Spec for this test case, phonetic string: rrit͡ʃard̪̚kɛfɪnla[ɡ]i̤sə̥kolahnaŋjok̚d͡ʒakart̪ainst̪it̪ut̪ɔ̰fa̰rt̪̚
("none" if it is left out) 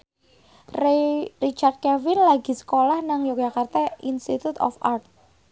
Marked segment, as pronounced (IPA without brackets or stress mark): ɡ